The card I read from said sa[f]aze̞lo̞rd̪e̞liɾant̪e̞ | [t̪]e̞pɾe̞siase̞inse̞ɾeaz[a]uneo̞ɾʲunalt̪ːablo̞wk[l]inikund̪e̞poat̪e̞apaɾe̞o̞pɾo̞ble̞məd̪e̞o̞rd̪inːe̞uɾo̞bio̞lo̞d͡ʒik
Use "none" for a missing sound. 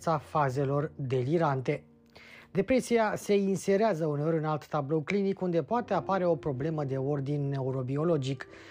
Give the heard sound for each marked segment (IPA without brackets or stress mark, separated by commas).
f, d̪, ə, l